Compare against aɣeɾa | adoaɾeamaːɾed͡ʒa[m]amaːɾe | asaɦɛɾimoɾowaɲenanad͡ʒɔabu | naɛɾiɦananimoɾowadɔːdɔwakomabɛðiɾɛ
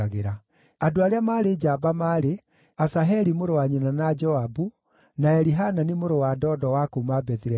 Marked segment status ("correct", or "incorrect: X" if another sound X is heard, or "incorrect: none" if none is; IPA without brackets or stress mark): incorrect: b